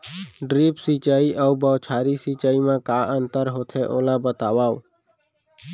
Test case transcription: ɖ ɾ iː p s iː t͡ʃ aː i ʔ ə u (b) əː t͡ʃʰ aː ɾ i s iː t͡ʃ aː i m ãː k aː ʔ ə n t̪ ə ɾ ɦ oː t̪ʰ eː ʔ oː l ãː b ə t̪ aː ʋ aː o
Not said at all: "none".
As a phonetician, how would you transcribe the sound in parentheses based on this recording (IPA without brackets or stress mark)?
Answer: b